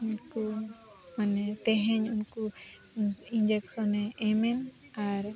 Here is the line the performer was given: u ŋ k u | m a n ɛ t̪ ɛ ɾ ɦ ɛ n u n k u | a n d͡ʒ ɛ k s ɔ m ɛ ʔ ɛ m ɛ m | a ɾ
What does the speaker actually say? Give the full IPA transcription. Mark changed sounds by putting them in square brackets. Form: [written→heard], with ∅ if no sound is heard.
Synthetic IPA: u [ŋ→n] k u | m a n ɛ t̪ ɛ [ɾ→∅] ɦ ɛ [n→ɲ] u n k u | [a→i] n d͡ʒ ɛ k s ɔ [m→n] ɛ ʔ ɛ m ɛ [m→n] | a ɾ